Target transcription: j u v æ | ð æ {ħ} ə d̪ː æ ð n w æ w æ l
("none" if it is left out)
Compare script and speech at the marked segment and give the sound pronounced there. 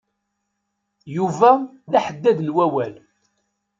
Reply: ħ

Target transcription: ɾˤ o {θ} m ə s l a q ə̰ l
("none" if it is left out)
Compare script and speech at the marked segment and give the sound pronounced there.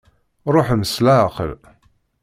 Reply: ħ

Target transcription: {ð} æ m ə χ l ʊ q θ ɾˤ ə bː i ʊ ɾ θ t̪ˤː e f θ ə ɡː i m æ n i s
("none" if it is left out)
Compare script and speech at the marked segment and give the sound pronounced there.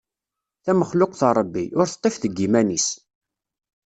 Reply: θ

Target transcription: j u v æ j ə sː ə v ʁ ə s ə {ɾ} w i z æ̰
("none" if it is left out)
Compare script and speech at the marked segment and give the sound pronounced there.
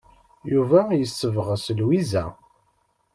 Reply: l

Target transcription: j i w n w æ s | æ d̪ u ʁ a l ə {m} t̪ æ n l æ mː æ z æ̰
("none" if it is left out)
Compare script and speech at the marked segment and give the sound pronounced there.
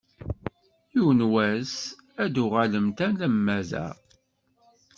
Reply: m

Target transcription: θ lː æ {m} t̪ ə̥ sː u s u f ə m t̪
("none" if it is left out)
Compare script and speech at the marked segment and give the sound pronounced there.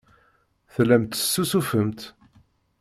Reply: m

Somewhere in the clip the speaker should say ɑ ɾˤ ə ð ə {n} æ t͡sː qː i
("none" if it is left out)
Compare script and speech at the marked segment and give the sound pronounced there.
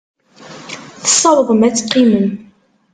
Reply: m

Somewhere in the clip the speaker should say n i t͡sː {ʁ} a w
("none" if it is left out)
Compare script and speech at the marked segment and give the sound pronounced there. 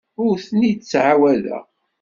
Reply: ʕ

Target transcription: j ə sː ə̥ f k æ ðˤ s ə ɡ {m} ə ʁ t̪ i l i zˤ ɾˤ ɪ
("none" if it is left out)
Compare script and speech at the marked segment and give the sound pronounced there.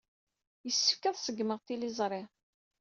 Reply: m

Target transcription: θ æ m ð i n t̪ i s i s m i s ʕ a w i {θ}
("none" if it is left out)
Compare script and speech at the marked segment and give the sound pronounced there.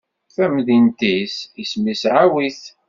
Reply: θ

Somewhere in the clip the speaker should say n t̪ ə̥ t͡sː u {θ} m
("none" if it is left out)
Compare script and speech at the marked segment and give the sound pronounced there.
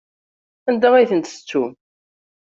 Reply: none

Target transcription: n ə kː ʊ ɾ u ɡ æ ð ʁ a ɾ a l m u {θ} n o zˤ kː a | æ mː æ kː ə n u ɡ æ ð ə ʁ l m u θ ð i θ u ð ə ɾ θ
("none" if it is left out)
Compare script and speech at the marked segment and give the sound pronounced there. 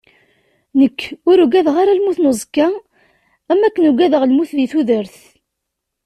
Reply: θ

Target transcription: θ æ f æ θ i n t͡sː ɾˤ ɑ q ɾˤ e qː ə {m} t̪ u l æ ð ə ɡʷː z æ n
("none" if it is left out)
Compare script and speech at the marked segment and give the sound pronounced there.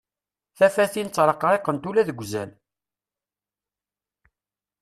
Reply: n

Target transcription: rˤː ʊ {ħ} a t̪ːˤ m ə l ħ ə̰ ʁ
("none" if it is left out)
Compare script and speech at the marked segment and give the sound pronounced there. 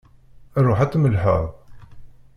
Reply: ħ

